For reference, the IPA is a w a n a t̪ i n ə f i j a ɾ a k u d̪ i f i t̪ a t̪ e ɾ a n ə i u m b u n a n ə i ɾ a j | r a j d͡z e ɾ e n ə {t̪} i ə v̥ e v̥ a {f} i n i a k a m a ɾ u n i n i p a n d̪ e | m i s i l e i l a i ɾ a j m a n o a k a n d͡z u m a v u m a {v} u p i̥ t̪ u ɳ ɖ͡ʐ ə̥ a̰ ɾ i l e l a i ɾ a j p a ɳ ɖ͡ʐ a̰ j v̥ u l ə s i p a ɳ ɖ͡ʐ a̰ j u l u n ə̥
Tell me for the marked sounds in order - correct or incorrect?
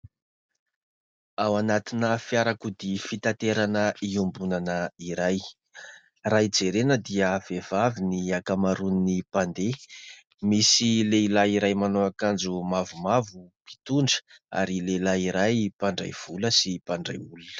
incorrect, incorrect, correct

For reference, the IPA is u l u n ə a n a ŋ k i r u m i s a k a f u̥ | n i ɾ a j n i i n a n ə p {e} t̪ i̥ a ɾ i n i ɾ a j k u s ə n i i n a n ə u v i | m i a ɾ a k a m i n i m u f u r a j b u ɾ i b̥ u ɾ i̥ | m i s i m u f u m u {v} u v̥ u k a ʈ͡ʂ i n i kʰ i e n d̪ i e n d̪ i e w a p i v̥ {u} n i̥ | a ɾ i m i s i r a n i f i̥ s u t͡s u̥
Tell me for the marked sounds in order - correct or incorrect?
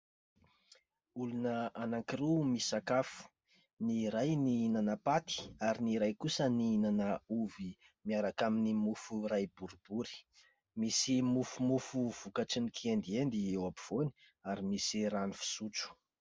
incorrect, incorrect, incorrect

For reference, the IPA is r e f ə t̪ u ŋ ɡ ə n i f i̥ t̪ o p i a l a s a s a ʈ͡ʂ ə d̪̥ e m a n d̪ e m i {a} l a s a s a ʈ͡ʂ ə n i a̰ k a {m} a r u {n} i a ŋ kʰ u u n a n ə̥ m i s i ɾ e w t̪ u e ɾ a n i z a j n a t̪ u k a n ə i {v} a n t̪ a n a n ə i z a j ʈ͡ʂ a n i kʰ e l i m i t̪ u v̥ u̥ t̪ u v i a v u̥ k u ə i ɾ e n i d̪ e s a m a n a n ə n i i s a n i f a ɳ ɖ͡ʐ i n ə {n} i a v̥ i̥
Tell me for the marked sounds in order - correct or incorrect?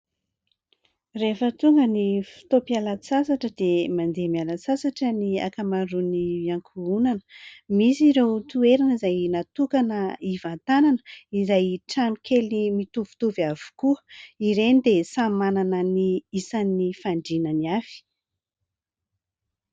correct, correct, correct, correct, correct

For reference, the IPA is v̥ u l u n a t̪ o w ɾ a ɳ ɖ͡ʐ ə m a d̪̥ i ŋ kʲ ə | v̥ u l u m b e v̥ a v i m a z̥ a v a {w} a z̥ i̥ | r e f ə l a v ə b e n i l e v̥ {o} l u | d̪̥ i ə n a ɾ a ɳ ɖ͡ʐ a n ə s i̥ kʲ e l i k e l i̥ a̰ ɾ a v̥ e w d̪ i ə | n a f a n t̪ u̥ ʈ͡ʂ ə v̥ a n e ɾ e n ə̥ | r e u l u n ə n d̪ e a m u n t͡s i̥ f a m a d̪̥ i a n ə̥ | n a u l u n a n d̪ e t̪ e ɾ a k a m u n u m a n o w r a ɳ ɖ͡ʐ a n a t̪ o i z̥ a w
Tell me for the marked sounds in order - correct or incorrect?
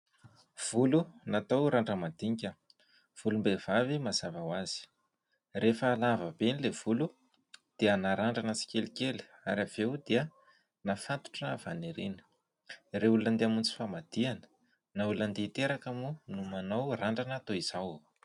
correct, incorrect

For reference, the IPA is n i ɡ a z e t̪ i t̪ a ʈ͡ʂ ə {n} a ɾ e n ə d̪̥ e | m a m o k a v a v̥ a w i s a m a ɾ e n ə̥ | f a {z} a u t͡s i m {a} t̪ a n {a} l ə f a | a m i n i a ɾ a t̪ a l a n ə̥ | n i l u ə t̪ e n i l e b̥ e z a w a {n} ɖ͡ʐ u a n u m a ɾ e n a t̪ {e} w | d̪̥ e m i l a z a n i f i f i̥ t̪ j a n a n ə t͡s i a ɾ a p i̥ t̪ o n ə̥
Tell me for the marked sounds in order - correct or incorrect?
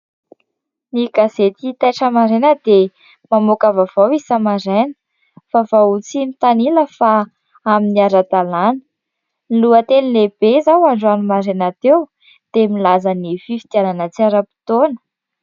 incorrect, incorrect, incorrect, incorrect, incorrect, correct

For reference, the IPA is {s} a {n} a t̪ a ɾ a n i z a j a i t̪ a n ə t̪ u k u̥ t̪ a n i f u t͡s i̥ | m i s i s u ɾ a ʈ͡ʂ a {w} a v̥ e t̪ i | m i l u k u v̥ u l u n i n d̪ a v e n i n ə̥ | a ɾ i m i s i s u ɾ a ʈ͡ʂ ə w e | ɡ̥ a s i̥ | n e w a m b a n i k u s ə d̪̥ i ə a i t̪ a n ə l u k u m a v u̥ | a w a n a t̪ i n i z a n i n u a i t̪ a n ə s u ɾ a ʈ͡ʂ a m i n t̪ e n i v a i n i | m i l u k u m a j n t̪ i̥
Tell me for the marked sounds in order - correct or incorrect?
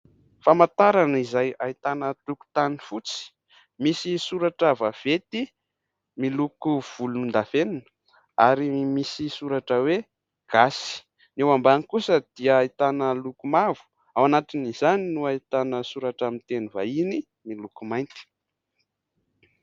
incorrect, incorrect, incorrect

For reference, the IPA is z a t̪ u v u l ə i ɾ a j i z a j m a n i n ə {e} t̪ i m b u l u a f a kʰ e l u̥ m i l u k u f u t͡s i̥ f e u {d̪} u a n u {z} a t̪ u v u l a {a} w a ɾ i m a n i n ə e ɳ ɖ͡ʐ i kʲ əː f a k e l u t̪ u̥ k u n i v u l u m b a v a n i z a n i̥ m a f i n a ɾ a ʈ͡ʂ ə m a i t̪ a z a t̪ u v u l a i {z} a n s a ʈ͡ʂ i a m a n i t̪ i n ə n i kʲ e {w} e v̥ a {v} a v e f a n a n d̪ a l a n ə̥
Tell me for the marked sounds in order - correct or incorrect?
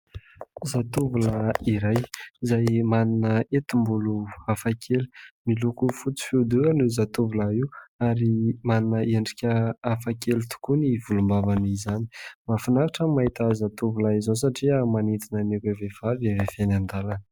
correct, correct, correct, incorrect, correct, incorrect, correct

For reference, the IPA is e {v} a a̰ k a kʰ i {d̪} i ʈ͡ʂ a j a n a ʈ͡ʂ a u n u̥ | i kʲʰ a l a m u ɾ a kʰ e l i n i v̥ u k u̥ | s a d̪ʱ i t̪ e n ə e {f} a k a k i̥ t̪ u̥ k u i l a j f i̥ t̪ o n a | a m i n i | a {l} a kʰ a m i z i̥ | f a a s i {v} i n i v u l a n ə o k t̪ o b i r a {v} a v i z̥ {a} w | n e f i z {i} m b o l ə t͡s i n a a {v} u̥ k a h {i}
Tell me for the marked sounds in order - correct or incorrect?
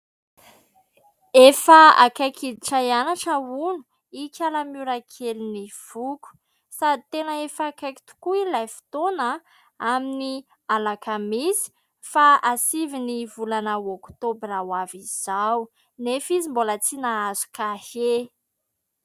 incorrect, correct, correct, correct, correct, incorrect, correct, correct, incorrect, incorrect

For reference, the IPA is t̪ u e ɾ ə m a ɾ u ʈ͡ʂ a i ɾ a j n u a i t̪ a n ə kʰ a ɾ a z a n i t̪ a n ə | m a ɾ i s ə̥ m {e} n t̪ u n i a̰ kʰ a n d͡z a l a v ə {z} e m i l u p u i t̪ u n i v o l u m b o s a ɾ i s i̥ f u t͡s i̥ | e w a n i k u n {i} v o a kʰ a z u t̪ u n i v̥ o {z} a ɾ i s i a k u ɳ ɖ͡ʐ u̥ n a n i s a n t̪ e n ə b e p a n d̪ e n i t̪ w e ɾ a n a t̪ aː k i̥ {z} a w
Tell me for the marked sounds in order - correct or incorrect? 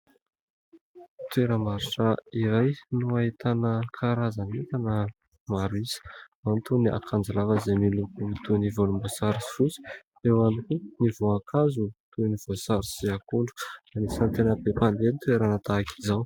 incorrect, correct, correct, incorrect, correct

